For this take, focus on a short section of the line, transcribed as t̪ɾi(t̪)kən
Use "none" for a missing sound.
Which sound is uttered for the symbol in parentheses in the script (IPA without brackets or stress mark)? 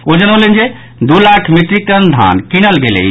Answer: none